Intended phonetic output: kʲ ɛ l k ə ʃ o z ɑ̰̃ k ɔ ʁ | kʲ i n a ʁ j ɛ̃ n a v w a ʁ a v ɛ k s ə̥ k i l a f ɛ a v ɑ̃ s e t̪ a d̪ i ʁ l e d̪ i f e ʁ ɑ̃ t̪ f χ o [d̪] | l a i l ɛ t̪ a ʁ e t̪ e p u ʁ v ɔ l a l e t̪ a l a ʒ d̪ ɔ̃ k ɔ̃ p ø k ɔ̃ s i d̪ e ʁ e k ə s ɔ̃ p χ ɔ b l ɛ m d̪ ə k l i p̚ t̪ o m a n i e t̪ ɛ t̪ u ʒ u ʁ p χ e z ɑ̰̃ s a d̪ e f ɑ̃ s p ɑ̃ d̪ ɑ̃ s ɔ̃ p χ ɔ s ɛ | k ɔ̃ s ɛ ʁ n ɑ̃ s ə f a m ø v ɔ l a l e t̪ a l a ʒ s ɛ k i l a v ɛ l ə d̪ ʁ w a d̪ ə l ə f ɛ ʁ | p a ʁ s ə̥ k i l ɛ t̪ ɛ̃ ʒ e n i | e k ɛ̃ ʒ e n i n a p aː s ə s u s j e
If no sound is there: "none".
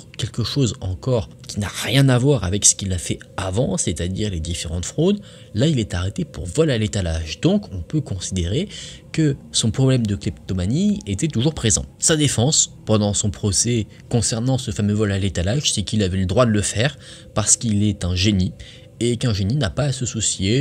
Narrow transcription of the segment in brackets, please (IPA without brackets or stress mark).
d̪